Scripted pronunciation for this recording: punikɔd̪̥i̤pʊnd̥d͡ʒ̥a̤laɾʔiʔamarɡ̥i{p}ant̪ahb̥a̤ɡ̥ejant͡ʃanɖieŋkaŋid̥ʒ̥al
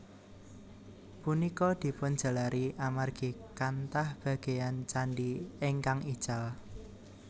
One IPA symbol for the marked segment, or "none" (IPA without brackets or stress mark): k